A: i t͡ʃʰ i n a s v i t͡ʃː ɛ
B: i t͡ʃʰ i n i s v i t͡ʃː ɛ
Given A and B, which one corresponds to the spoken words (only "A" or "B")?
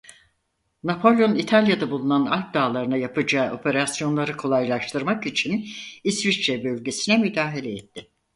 B